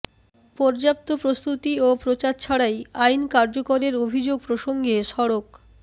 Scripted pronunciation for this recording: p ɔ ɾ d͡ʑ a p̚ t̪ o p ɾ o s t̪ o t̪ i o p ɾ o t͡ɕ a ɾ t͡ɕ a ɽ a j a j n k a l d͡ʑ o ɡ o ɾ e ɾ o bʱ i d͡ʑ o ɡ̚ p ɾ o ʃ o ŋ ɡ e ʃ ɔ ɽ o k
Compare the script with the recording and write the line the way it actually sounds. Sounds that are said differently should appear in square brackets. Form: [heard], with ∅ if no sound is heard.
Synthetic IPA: p ɔ ɾ d͡ʑ a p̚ t̪ o p ɾ o s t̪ [u] t̪ i o p ɾ o t͡ɕ a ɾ [t͡ɕʰ] a ɽ a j a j n k a [ɾ] d͡ʑ o [k] o ɾ e ɾ o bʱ i d͡ʑ o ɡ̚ p ɾ o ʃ o ŋ ɡ e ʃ ɔ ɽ o k